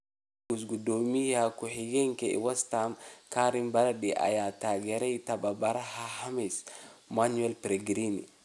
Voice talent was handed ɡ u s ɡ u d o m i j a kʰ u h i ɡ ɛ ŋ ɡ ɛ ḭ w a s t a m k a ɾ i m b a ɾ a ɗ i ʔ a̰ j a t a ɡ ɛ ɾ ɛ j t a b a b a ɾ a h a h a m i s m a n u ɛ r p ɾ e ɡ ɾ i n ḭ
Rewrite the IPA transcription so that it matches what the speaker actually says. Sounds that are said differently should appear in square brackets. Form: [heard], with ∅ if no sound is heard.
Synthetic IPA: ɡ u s ɡ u d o m i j a [k] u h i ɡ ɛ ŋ [k] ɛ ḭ w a s t a m k a ɾ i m b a ɾ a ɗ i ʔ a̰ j a t a ɡ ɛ ɾ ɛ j t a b a b a ɾ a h a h a m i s m a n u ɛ [l] p ɾ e ɡ ɾ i n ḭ